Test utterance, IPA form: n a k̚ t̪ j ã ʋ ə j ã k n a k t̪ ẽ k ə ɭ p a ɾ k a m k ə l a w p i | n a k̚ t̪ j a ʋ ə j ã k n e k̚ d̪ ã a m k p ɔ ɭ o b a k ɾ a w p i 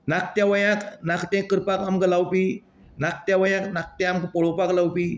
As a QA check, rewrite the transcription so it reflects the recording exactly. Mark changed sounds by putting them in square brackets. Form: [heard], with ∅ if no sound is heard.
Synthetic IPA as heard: n a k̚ t̪ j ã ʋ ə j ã k n a k t̪ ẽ k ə [ɾ] p a [∅] k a m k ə l a w p i | n a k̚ t̪ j a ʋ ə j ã k n [a] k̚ [t̪] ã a m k p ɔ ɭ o [p] a k [l] a w p i